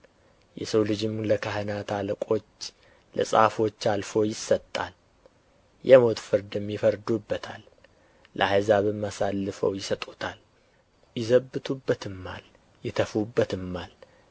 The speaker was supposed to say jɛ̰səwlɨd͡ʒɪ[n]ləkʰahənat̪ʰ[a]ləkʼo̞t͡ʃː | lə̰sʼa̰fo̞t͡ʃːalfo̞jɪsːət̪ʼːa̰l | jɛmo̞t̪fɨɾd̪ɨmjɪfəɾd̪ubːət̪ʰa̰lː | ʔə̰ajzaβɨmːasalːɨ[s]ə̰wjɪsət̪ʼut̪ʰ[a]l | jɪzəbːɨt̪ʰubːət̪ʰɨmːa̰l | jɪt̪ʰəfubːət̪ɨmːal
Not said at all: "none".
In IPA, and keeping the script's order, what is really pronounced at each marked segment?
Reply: m, a, f, a

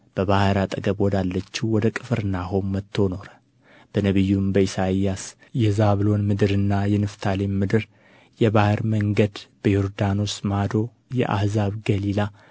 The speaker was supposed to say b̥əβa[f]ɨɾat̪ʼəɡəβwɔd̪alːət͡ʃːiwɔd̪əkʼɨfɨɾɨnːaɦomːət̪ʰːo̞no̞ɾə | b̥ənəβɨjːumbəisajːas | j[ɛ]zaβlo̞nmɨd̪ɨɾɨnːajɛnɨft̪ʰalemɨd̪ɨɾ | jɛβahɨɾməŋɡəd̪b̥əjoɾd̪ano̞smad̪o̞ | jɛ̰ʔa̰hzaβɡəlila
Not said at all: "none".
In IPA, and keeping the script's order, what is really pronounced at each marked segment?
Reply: h, ɛ

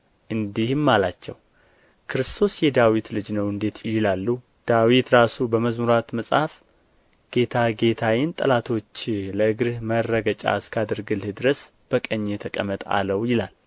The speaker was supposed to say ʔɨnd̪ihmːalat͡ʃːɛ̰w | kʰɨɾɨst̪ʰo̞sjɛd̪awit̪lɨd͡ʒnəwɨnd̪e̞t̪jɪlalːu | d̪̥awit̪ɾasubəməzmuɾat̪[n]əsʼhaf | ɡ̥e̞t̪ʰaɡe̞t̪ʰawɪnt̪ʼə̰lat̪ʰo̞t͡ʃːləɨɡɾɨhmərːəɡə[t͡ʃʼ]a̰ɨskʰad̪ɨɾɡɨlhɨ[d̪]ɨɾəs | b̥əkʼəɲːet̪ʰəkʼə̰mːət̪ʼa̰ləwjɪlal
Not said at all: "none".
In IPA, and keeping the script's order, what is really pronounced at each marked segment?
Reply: m, t͡ʃʼ, d̪

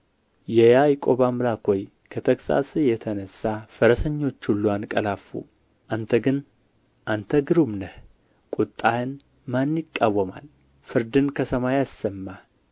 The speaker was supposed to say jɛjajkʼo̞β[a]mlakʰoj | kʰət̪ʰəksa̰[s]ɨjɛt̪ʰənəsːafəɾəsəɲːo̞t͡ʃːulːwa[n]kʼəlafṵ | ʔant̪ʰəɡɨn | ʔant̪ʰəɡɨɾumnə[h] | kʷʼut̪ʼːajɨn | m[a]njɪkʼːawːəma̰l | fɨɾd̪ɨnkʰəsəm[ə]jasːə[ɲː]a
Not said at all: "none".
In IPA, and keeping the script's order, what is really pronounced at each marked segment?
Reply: a, s, n, h, a, a, mː

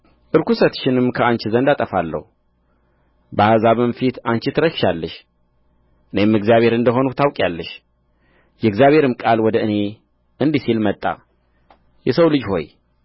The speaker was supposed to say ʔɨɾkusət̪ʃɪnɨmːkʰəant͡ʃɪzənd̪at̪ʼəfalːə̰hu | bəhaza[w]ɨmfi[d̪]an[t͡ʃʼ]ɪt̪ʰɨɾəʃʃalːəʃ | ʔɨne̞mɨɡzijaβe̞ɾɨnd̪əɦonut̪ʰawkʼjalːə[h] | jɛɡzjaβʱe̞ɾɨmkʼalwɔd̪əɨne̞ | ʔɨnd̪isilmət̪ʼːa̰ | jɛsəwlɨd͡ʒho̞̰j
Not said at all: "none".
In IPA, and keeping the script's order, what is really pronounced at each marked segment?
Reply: β, t̪, t͡ʃ, ʃ

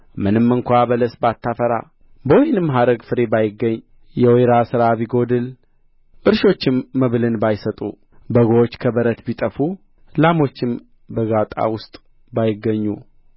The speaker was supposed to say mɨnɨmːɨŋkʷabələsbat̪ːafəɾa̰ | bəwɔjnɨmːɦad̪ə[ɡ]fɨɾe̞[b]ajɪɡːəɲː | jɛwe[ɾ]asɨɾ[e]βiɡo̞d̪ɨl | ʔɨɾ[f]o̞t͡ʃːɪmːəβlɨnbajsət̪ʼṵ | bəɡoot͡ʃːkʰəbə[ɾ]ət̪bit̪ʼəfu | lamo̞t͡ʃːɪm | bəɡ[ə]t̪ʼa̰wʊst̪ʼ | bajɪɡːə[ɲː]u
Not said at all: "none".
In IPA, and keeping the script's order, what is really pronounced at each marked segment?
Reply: ɡ, b, ɾ, a, ʃ, ɾ, a, ɲː

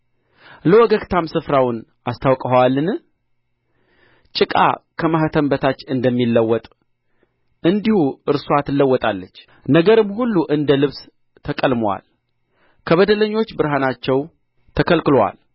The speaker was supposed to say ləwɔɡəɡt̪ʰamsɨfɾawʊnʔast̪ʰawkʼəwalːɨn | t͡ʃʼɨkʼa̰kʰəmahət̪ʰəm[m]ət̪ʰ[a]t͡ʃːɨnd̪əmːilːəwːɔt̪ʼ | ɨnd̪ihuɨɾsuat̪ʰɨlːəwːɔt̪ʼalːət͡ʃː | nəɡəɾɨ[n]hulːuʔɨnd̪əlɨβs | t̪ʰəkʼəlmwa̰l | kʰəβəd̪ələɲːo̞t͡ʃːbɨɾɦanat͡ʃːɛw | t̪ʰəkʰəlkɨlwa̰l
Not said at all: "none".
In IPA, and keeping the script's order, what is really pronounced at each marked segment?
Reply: b, a, m

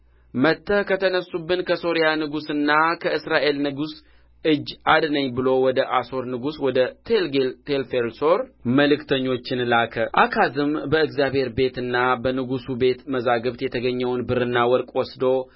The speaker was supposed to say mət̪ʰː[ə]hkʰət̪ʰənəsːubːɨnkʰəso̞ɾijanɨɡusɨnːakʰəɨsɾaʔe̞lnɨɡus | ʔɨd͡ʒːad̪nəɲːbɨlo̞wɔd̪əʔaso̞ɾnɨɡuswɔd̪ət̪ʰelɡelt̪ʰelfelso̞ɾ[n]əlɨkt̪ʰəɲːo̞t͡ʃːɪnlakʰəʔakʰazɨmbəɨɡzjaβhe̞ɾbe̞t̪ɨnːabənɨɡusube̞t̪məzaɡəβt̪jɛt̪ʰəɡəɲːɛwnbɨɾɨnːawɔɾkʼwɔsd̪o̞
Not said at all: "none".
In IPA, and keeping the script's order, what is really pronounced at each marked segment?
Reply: ə, m

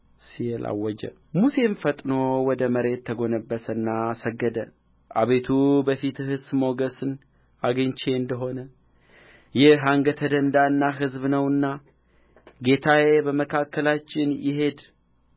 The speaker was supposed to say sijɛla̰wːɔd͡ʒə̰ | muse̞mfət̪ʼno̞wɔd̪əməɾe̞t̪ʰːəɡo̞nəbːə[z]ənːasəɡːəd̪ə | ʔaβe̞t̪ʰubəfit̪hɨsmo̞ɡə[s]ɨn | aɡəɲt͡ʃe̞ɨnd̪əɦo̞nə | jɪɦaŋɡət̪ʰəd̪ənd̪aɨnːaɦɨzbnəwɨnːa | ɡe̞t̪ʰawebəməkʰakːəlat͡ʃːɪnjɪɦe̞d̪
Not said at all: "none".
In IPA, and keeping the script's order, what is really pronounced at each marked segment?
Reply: s, s

